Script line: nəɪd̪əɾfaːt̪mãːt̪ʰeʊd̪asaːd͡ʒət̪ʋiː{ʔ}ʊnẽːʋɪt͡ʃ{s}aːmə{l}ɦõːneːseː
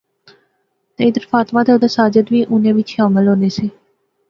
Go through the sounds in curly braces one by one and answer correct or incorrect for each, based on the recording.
correct, incorrect: ʃ, correct

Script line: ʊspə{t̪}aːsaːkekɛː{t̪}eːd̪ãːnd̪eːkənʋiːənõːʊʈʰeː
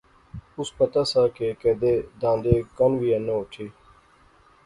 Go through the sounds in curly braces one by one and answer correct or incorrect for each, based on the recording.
correct, incorrect: d̪

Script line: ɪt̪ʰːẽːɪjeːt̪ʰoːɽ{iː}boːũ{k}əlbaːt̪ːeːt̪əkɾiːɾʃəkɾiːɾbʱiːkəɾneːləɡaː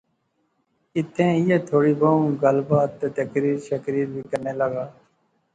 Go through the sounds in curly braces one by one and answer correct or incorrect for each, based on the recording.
correct, incorrect: ɡ

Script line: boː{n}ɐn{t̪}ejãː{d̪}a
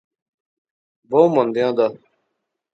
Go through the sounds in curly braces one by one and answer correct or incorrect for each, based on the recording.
incorrect: m, incorrect: d̪, correct

